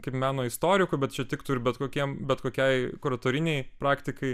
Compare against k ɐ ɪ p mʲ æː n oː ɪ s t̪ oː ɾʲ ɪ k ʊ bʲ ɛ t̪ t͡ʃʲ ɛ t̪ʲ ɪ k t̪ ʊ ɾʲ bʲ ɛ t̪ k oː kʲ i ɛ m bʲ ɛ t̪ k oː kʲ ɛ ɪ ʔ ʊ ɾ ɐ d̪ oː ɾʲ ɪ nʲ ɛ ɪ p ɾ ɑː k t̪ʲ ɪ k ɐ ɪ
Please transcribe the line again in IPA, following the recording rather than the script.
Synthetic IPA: k ɐ ɪ p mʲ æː n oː ɪ s t̪ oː ɾʲ ɪ k ʊ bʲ ɛ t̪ t͡ʃʲ ɛ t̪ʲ ɪ k t̪ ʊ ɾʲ bʲ ɛ t̪ k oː kʲ i ɛ m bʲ ɛ t̪ k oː kʲ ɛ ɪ k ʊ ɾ ɐ t̪ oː ɾʲ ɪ nʲ ɛ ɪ p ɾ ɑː k t̪ʲ ɪ k ɐ ɪ

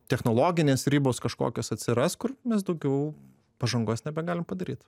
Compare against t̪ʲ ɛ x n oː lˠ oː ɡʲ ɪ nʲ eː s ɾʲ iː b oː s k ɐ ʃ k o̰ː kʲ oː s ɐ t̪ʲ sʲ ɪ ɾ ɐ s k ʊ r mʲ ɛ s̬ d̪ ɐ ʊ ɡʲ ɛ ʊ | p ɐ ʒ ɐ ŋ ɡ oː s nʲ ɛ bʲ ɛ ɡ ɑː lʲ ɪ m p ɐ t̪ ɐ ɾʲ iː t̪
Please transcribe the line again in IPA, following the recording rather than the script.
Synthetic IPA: t̪ʲ ɛ x n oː lˠ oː ɡʲ ɪ nʲ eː s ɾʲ iː b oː s k ɐ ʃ k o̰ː kʲ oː s ɐ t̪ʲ sʲ ɪ ɾ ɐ s k ʊ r mʲ ɛ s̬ d̪ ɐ ʊ ɡʲ ɛ ʊ | p ɐ ʒ ɐ ŋ ɡ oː s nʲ ɛ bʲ ɛ ɡ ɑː lʲ ɪ m p ɐ d̪ ɐ ɾʲ iː t̪

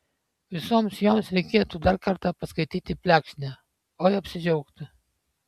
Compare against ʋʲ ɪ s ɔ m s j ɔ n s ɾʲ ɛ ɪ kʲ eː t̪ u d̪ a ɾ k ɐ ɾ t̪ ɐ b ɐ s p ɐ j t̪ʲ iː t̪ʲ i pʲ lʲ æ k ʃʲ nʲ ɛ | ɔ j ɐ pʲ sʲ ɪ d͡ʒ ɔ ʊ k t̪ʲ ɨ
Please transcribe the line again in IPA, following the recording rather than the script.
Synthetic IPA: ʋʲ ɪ s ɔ m s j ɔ m s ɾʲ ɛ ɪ kʲ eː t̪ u d̪ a ɾ k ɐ ɾ t̪ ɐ p ɐ s k ɐ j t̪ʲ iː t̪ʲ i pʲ lʲ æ k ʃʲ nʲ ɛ | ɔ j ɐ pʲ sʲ ɪ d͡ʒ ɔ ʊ k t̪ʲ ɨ

